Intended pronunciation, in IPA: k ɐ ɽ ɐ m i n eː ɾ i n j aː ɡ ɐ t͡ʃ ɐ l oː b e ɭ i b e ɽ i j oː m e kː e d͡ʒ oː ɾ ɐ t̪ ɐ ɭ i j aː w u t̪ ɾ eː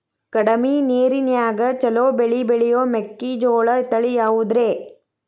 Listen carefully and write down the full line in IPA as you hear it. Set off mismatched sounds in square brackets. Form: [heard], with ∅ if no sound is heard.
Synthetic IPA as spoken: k ɐ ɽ ɐ m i n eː ɾ i n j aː ɡ ɐ t͡ʃ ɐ l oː b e ɭ i b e [ɭ] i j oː m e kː [i] d͡ʒ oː [ɭ] ɐ t̪ ɐ ɭ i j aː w u [d̪] ɾ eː